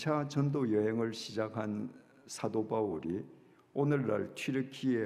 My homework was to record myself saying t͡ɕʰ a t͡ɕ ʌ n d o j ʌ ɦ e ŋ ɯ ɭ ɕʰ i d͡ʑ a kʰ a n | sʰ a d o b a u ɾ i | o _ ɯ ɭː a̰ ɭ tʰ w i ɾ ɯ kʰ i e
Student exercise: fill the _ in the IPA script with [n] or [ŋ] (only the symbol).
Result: n